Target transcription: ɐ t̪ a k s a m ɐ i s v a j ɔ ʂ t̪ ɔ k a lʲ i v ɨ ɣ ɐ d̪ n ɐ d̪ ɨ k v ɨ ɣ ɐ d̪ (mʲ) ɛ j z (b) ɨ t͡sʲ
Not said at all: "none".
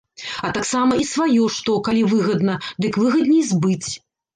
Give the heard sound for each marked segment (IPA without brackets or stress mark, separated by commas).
nʲ, b